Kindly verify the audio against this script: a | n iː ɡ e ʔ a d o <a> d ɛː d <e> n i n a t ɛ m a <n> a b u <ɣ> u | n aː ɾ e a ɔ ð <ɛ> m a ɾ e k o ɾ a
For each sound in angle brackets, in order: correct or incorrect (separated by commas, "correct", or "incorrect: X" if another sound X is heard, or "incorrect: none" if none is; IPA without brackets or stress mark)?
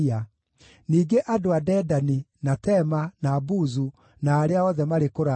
correct, incorrect: a, correct, incorrect: z, correct